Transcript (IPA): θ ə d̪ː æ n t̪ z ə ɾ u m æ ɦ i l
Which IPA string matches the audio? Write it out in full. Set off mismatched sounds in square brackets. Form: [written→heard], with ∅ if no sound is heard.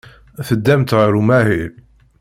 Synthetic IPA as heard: θ ə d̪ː æ [n→m] t̪ [z→ʁ] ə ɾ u m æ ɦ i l